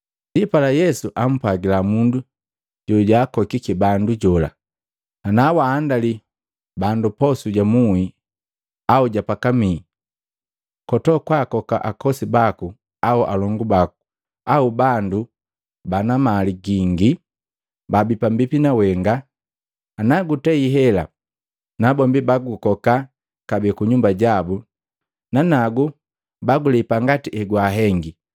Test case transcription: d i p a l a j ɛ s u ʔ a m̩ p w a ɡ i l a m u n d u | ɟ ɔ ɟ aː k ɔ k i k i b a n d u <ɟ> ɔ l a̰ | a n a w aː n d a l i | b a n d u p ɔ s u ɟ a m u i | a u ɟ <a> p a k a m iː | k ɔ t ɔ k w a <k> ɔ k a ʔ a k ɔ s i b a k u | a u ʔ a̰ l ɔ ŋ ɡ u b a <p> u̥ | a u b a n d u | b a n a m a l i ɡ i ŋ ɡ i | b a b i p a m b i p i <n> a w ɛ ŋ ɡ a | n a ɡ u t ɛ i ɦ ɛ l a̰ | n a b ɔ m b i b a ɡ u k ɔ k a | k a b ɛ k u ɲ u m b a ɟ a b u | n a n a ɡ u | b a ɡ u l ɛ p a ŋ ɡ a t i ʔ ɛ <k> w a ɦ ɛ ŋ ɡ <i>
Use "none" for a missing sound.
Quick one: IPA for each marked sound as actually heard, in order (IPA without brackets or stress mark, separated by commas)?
ɟ, a, k, k, n, ɡ, i